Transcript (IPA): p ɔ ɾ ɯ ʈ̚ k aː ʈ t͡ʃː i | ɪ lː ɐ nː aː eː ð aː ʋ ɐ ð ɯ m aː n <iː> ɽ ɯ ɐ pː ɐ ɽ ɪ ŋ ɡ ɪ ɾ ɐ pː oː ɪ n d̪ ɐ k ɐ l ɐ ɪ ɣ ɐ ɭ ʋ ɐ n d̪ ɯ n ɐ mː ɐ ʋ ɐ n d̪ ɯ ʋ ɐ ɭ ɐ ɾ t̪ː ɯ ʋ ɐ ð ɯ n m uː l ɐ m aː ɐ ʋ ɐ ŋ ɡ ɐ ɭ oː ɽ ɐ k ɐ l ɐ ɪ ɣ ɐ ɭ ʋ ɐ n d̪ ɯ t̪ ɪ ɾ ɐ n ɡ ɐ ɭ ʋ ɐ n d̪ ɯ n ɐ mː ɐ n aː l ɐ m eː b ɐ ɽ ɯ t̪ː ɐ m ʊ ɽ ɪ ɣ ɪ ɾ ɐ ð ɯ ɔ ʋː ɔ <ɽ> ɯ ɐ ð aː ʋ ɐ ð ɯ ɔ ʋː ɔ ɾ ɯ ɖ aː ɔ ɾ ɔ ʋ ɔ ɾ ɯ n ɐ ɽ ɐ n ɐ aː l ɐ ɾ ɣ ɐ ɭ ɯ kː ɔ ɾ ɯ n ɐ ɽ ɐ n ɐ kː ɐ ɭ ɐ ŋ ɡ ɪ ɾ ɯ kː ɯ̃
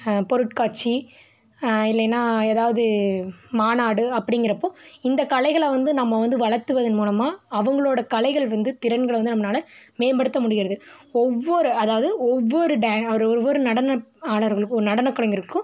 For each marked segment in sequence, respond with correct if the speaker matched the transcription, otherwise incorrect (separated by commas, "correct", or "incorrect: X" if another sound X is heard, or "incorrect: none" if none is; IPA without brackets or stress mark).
incorrect: aː, incorrect: ɾ